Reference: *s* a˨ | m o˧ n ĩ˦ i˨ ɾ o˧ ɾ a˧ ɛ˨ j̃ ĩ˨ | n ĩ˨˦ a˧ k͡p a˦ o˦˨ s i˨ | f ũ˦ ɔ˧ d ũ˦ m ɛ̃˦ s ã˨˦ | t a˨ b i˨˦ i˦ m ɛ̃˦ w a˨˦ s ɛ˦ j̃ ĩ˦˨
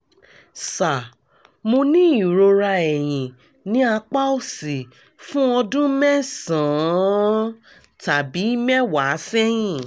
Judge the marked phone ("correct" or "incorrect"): correct